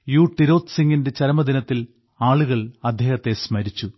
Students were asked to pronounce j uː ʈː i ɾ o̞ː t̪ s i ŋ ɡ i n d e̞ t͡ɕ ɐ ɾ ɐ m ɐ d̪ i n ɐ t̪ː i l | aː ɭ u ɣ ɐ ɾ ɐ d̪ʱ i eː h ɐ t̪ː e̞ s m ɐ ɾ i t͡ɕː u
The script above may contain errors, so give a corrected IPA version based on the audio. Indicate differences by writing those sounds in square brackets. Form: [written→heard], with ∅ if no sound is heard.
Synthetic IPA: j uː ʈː i ɾ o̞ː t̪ s i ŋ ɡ i n d e̞ t͡ɕ ɐ ɾ ɐ m ɐ d̪ i n ɐ t̪ː i l | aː ɭ u ɣ ɐ [ɾ→ɭ] ɐ d̪ʱ [i→j] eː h ɐ t̪ː e̞ s m ɐ ɾ i t͡ɕː u